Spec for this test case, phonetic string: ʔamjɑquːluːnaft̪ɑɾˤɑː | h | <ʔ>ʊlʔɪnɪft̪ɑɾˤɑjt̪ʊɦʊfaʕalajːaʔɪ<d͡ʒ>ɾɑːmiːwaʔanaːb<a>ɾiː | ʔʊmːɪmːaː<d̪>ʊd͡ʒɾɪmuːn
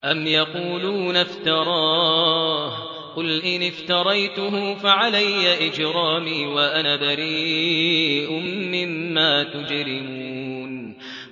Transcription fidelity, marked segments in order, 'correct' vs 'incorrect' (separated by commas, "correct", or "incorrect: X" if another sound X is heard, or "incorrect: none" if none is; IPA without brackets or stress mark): incorrect: q, correct, correct, incorrect: t̪